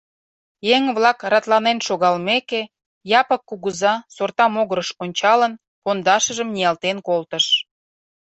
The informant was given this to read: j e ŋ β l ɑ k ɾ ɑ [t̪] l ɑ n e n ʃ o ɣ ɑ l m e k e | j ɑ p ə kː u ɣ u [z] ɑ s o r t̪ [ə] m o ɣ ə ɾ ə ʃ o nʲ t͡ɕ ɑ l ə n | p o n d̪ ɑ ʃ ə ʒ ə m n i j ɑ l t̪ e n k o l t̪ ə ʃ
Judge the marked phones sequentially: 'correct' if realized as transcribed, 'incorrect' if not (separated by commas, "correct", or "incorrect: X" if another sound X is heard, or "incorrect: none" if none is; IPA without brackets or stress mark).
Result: correct, correct, incorrect: ɑ